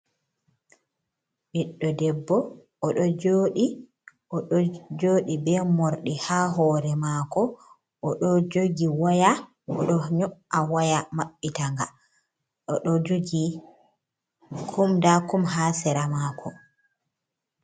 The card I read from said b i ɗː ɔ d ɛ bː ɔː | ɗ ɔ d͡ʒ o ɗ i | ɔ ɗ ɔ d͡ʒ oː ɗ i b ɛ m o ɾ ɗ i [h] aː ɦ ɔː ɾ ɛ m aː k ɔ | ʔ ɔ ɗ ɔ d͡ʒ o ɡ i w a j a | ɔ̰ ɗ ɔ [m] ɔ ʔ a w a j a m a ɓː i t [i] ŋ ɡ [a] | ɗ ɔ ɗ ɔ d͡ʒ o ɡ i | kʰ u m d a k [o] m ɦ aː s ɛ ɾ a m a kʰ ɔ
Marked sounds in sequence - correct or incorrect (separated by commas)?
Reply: correct, incorrect, incorrect, correct, incorrect